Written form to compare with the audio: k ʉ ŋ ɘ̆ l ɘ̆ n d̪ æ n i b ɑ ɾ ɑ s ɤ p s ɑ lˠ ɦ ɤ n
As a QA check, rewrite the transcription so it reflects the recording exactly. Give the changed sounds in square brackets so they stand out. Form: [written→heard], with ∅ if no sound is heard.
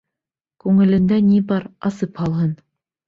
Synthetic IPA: k ʉ ŋ ɘ̆ l ɘ̆ n d̪ æ n i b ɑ ɾ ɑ s ɤ p [s→h] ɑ lˠ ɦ ɤ n